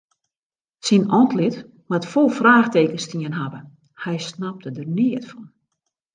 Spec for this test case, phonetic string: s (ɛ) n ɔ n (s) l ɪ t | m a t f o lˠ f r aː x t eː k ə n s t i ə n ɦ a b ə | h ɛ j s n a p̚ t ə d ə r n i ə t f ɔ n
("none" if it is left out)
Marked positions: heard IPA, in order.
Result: i, t

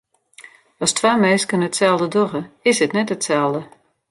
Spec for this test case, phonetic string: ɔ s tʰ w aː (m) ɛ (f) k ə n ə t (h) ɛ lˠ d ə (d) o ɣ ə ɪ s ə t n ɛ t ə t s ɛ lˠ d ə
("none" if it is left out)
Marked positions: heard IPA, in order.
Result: m, s, s, d

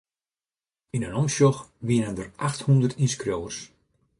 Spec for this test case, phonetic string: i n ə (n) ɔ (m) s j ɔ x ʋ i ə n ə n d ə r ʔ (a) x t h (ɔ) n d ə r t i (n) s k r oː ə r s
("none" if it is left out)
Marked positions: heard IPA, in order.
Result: n, m, a, u, n

